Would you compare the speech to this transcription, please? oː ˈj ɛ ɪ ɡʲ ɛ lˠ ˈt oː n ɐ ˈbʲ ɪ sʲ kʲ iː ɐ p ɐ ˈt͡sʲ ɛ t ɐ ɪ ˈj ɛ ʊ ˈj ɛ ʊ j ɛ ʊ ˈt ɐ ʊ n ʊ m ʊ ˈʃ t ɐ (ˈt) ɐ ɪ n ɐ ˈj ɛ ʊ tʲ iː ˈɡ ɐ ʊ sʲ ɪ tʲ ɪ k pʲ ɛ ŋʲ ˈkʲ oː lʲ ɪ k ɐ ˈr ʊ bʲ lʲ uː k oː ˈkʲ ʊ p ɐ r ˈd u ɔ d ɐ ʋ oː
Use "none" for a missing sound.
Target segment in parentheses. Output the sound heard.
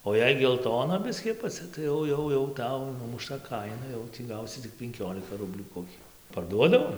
k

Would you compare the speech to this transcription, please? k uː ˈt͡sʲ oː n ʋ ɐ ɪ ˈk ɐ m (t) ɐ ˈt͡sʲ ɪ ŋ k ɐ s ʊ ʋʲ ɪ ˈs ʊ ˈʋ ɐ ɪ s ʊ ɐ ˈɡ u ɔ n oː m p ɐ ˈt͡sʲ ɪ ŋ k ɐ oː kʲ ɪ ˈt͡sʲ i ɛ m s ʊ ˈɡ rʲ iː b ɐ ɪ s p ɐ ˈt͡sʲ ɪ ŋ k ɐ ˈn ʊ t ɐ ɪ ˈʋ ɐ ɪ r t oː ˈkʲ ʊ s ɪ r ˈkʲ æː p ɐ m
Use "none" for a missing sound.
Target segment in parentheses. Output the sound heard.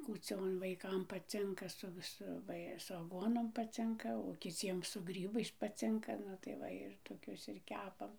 p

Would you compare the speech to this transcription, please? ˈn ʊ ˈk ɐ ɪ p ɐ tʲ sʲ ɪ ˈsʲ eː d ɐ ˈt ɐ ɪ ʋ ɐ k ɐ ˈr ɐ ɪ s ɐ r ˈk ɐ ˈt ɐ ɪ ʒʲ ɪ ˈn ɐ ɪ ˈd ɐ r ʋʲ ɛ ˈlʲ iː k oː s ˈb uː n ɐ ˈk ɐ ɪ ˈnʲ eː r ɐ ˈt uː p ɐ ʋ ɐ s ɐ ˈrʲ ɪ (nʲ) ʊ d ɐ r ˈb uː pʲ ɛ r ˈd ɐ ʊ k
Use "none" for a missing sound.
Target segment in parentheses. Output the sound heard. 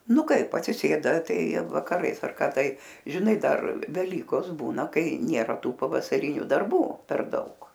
nʲ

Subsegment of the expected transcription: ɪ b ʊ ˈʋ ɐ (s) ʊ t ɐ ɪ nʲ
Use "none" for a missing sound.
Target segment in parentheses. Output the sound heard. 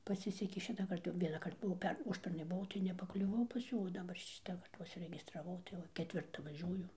none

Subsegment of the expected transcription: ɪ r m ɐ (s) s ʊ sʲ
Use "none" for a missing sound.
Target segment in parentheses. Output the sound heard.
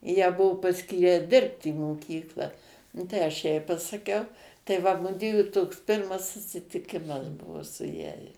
s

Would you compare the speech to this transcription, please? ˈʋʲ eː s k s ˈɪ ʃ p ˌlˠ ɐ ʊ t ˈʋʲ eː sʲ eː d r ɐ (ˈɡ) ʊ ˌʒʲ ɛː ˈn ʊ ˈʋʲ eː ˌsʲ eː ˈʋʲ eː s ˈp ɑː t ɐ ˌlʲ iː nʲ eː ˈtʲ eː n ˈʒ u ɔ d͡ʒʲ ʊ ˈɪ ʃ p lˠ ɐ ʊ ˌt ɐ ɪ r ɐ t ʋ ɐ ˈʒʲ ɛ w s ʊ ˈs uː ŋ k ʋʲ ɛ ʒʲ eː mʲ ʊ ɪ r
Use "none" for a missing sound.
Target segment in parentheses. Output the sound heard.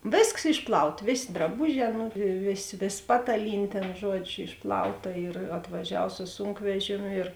b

